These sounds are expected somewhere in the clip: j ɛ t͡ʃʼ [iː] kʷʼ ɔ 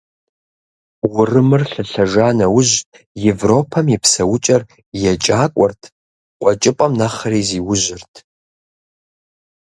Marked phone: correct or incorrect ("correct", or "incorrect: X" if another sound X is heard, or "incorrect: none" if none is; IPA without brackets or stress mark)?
incorrect: aː